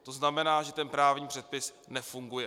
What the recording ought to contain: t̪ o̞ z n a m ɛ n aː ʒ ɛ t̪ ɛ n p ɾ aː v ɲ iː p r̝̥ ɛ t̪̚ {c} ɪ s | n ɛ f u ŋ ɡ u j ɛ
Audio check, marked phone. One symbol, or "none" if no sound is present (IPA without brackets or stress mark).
p